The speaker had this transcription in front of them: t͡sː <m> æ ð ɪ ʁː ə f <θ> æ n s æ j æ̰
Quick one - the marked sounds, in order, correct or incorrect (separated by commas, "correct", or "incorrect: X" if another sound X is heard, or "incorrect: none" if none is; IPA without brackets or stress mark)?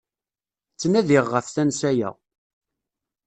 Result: incorrect: n, correct